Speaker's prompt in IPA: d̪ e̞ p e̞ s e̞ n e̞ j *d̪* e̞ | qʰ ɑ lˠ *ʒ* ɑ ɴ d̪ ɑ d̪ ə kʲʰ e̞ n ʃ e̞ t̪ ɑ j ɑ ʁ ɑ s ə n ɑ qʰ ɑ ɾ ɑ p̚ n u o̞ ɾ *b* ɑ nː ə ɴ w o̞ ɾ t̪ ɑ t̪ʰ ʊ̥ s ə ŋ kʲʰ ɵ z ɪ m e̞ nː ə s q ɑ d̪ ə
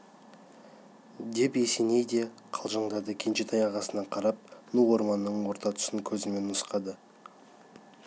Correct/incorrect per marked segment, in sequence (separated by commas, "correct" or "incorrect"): correct, correct, incorrect